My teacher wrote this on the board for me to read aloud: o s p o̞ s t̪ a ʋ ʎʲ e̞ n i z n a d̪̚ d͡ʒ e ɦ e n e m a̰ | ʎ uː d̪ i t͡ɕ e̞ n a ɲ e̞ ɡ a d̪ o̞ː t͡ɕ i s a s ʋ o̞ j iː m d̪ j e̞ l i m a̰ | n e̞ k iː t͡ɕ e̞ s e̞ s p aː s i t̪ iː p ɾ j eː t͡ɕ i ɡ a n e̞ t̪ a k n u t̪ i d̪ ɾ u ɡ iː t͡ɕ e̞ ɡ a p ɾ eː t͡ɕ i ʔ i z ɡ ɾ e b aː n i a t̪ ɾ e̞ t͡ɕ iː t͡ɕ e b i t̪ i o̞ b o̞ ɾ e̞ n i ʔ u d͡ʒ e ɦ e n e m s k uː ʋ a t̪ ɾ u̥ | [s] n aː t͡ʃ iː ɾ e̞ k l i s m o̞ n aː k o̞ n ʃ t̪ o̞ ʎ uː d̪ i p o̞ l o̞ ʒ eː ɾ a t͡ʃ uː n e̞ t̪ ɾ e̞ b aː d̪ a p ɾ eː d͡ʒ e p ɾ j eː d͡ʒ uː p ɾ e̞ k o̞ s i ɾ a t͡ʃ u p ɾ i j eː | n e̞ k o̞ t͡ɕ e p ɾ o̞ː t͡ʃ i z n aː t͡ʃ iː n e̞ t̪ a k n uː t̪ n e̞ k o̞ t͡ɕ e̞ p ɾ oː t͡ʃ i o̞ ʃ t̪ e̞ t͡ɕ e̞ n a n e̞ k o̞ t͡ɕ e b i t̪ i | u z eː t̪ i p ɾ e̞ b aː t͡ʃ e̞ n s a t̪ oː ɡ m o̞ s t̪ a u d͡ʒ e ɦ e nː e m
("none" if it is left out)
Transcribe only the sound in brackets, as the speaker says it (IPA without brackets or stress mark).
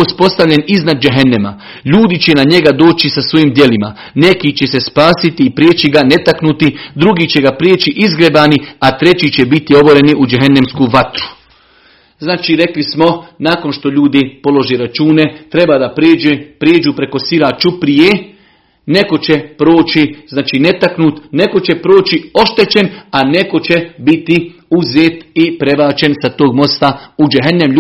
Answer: z